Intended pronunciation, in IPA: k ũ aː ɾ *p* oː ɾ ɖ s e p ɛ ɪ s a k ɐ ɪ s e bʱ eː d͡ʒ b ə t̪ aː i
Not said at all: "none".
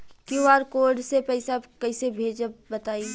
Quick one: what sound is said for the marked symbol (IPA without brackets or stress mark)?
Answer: k